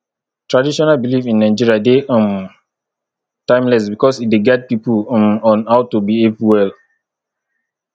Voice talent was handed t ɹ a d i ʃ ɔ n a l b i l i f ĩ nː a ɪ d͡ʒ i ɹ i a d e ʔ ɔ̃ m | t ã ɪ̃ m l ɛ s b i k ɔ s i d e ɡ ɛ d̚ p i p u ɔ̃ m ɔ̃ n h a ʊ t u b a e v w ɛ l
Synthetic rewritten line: t ɹ a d i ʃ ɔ n a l b i l i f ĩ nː a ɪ d͡ʒ i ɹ i a d e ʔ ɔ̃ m | t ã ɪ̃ m l ɛ s b i k ɔ s i d e ɡ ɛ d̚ p i p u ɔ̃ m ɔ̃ n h a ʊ t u b i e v w ɛ l